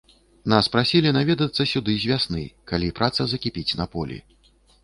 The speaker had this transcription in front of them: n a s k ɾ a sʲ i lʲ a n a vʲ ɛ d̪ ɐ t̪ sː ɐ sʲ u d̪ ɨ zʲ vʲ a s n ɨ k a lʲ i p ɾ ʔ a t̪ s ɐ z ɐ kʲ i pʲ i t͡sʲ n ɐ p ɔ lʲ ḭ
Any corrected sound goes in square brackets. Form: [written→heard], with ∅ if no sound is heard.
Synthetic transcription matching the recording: n a s [k→p] ɾ a sʲ i lʲ [a→i] n a vʲ ɛ d̪ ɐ t̪ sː ɐ sʲ u d̪ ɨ zʲ vʲ a s n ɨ k a lʲ i p ɾ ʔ a t̪ s ɐ z ɐ kʲ i pʲ i t͡sʲ n ɐ p ɔ lʲ ḭ